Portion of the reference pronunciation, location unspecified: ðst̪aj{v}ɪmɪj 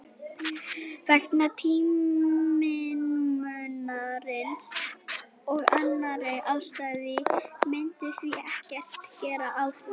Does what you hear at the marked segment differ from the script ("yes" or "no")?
yes